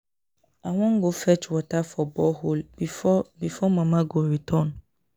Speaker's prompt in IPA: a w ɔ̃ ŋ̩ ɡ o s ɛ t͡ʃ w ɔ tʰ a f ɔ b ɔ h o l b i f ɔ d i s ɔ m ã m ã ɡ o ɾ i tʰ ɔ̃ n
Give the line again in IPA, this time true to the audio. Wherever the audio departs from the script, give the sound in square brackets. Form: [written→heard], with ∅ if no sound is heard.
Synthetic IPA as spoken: a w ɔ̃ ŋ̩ ɡ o [s→f] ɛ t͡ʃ w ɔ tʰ a f ɔ b ɔ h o l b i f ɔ [d→b] i [s→f] ɔ m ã m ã ɡ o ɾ i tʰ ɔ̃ n